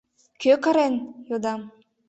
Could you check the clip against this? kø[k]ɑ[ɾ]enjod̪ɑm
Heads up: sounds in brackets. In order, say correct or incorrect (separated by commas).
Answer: correct, correct